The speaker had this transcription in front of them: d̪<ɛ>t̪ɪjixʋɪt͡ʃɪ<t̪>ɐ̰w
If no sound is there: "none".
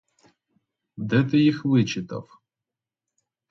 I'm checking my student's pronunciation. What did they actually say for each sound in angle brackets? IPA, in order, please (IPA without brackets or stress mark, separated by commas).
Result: ɛ, t̪